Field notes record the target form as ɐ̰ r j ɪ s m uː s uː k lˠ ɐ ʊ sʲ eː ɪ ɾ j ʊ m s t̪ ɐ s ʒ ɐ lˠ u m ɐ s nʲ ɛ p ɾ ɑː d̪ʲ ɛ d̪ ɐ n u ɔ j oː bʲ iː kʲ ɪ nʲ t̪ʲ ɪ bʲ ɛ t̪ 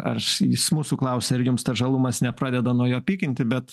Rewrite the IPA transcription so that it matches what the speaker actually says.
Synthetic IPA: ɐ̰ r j ɪ s m uː s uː k lˠ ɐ ʊ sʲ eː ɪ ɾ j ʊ m s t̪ ɐ ʒ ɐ lˠ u m ɐ s nʲ ɛ p ɾ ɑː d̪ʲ ɛ d̪ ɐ n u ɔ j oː pʲ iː kʲ ɪ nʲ t̪ʲ ɪ bʲ ɛ t̪